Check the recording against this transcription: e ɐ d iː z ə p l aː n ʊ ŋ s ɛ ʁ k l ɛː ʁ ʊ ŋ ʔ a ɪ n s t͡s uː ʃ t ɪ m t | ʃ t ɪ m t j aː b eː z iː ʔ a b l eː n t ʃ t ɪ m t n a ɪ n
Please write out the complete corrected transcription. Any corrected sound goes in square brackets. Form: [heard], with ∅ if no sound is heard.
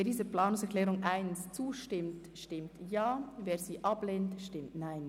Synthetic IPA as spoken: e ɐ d iː z ə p l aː n ʊ ŋ s ɛ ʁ k l ɛː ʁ ʊ ŋ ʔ a ɪ n s t͡s uː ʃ t ɪ m t | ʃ t ɪ m t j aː [v] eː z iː ʔ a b l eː n t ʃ t ɪ m t n a ɪ n